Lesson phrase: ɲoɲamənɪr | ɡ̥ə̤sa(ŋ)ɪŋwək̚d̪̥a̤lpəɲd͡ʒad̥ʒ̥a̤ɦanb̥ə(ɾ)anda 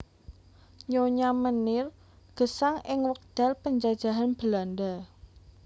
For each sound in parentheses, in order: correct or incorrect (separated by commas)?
correct, incorrect